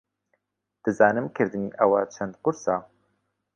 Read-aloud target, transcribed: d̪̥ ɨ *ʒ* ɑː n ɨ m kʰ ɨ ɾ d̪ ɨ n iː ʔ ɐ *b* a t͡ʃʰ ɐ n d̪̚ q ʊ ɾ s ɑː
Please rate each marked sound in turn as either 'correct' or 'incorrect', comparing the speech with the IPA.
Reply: incorrect, incorrect

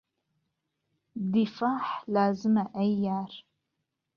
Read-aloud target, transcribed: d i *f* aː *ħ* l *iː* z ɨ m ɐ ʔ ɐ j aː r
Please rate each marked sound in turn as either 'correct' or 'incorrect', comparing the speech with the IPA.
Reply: correct, correct, incorrect

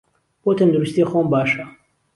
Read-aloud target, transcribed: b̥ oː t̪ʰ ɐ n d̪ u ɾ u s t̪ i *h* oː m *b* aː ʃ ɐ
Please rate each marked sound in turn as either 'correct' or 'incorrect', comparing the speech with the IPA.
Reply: incorrect, correct

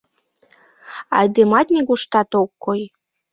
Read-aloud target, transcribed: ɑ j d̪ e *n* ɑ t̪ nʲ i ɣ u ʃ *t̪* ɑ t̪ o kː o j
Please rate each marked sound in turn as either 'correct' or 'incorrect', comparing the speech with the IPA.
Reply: incorrect, correct

